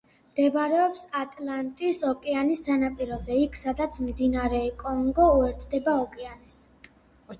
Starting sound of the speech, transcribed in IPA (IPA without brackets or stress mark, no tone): m